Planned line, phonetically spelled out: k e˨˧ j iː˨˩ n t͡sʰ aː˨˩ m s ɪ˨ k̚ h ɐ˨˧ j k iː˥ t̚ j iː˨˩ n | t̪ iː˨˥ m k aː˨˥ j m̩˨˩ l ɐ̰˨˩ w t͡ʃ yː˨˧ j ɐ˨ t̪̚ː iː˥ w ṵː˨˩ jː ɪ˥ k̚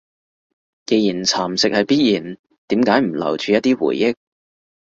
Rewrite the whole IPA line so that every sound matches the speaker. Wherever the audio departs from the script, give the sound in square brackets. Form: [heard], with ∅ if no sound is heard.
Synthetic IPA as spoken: k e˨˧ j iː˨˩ n t͡sʰ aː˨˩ m s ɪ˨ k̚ h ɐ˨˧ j [p] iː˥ t̚ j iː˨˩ n | t̪ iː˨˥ m k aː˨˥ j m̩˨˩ l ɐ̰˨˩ w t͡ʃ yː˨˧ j [ɐ˥] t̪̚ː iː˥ w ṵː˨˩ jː ɪ˥ k̚

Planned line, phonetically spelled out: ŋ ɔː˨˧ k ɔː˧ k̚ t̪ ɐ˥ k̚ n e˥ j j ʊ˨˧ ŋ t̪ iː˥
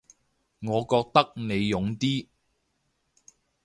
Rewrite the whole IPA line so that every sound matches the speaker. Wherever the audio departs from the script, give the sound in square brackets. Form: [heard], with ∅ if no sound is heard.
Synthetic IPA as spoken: ŋ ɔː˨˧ k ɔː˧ k̚ t̪ ɐ˥ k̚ n [e˨˧] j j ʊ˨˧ ŋ t̪ iː˥

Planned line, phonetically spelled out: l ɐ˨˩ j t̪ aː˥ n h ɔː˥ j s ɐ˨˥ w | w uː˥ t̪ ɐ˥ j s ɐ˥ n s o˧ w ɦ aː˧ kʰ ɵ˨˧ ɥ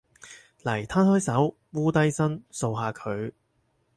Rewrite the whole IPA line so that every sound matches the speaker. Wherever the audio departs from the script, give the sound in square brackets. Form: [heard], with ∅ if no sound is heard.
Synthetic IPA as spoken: l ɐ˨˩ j [t̪ʰ] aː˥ n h ɔː˥ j s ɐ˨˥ w | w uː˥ t̪ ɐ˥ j s ɐ˥ n s o˧ w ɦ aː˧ kʰ ɵ˨˧ ɥ

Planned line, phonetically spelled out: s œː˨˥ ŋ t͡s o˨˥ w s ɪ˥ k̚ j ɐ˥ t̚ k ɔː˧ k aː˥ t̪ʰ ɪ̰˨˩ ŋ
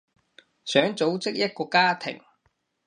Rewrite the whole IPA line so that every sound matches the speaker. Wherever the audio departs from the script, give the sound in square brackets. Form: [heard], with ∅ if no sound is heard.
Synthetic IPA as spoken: s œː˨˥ ŋ t͡s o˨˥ w [t͡s] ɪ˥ k̚ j ɐ˥ t̚ k ɔː˧ k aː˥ t̪ʰ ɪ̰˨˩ ŋ

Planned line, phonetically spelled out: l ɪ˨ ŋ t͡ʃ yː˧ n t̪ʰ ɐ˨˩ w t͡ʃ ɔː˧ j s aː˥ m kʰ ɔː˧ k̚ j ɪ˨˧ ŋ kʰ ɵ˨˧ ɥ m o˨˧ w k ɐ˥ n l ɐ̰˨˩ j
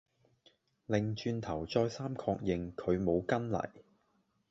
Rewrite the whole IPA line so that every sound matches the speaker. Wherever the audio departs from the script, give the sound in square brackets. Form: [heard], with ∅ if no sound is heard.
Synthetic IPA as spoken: l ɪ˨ ŋ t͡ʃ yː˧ n t̪ʰ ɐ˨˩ w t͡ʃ ɔː˧ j s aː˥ m kʰ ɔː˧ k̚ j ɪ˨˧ ŋ kʰ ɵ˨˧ ɥ m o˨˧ w k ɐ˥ n l ɐ̰˨˩ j

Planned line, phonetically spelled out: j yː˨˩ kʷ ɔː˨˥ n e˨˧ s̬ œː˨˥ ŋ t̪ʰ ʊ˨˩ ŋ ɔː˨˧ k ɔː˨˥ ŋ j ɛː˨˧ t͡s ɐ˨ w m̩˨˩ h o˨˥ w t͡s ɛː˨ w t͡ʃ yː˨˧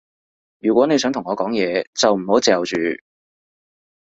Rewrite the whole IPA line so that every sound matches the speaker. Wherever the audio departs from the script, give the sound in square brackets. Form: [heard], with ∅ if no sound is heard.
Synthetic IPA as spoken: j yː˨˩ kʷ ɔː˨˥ n e˨˧ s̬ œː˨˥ ŋ t̪ʰ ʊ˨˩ ŋ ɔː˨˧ k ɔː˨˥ ŋ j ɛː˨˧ t͡s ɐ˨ w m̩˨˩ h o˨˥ w t͡s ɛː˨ w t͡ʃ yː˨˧

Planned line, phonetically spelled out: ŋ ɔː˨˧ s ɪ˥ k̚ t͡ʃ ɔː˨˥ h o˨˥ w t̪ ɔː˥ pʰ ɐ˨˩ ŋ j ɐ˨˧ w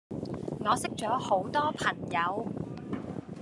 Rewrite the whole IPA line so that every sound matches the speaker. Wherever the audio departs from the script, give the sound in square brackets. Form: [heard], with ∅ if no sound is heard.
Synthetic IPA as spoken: ŋ ɔː˨˧ s ɪ˥ k̚ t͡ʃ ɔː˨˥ h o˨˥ w t̪ ɔː˥ pʰ ɐ˨˩ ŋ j ɐ˨˧ w

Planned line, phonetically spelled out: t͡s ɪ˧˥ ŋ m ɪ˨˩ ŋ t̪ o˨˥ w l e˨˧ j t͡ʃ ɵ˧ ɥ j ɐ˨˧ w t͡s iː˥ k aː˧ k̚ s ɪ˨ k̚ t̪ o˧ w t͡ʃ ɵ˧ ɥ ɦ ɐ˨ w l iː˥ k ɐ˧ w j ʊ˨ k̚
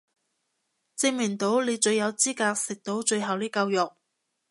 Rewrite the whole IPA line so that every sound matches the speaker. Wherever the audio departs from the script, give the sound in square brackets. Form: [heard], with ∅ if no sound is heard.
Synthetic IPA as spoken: t͡s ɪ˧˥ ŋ m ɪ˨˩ ŋ t̪ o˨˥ w l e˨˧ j t͡ʃ ɵ˧ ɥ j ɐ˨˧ w t͡s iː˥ k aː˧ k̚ s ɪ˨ k̚ t̪ [o˨˥] w t͡ʃ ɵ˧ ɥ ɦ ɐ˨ w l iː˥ k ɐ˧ w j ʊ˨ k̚

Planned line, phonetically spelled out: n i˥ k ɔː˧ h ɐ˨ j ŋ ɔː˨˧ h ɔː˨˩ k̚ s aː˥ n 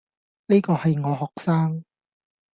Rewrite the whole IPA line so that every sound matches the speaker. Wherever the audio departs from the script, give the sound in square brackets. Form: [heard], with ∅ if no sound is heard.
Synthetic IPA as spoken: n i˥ k ɔː˧ h ɐ˨ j ŋ ɔː˨˧ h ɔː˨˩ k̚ s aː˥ [ŋ]

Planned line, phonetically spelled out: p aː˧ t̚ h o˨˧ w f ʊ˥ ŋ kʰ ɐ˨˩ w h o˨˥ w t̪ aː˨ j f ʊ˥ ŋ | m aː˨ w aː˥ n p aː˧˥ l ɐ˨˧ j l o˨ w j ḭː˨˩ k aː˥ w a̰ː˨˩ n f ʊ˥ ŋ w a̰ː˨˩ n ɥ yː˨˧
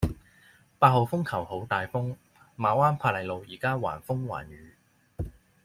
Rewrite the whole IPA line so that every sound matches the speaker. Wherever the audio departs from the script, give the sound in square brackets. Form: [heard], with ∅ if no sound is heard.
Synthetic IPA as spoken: p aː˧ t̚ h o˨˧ w f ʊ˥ ŋ kʰ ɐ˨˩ w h o˨˥ w t̪ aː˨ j f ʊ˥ ŋ | m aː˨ w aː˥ n [pʰ] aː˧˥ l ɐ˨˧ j l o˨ w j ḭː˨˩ k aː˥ w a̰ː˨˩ n f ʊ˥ ŋ w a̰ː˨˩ n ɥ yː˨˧

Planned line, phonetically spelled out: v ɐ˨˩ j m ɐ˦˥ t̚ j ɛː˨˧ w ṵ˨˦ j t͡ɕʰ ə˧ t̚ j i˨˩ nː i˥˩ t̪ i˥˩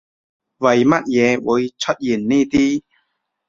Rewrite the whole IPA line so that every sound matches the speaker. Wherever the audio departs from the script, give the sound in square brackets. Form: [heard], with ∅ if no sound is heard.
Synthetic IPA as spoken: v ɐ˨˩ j m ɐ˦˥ t̚ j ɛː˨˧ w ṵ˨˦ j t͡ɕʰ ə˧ t̚ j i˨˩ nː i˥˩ t̪ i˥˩

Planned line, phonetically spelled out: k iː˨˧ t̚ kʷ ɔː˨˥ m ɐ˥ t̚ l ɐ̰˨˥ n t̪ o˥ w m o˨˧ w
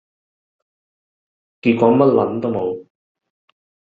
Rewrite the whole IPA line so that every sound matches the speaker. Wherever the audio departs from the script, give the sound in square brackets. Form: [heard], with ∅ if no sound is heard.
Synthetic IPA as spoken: k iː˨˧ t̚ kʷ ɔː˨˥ m ɐ˥ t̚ l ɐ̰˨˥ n t̪ o˥ w m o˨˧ w

